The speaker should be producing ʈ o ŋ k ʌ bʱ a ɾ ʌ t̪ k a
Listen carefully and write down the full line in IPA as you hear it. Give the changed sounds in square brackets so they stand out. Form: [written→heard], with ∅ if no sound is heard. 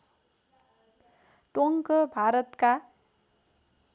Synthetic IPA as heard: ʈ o ŋ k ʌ bʱ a ɾ ʌ t̪ k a